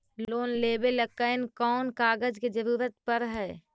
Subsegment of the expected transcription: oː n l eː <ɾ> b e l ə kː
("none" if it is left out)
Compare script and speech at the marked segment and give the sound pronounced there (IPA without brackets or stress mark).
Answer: none